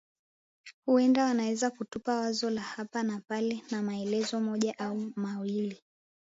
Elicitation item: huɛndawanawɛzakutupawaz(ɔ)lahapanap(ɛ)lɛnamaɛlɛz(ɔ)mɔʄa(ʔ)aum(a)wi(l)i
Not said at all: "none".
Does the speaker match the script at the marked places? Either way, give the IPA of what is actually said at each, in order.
ɔ, a, ɔ, ʔ, a, l

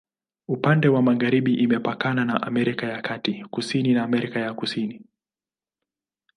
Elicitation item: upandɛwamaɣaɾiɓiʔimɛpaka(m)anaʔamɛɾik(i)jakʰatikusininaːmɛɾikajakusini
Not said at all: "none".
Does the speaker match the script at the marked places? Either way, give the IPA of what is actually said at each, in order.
n, a

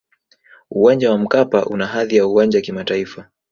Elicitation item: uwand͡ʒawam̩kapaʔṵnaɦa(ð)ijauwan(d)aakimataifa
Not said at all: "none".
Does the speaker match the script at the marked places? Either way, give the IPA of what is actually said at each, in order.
ð, d͡ʒ

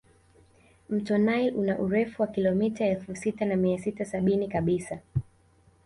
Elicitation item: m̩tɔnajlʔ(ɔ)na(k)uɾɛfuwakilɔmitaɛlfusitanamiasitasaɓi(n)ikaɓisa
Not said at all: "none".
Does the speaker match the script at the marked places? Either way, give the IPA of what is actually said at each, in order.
u, ʔ, n

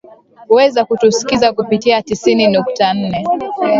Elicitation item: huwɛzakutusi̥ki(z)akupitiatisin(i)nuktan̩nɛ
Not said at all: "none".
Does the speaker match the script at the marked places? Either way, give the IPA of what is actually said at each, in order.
z, i

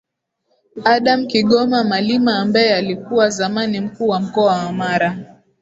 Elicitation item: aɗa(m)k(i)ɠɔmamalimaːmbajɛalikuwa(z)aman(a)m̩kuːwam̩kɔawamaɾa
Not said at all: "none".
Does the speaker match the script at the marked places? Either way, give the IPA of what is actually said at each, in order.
m, i, z, i

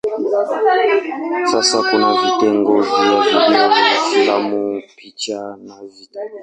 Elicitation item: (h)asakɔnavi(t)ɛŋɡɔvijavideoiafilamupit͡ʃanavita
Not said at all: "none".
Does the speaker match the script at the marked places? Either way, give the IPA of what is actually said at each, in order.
s, t

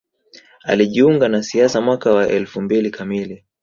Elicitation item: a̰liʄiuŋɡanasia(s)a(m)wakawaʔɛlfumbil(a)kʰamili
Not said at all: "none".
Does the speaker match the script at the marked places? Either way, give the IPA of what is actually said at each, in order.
s, m, i

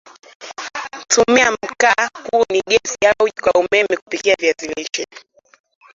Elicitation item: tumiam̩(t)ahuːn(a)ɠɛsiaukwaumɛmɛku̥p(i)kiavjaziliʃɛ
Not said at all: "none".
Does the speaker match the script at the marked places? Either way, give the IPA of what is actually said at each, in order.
k, i, i

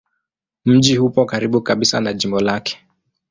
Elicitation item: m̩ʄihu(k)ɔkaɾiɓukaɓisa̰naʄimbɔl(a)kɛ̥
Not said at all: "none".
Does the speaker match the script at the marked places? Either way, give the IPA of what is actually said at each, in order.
p, a

